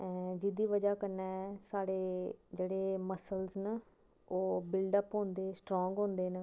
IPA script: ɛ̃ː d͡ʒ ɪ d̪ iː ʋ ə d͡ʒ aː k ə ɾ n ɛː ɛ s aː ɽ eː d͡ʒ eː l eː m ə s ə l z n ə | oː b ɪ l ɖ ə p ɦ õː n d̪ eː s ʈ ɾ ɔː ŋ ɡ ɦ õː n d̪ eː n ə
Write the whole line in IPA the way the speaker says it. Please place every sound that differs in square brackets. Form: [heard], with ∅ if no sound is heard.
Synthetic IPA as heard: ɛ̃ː d͡ʒ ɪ d̪ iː ʋ ə d͡ʒ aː k ə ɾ n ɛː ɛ s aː ɽ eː d͡ʒ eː [ɽ] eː m ə s ə l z n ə | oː b ɪ l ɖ ə p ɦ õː n d̪ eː s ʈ ɾ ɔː ŋ ɡ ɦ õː n d̪ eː n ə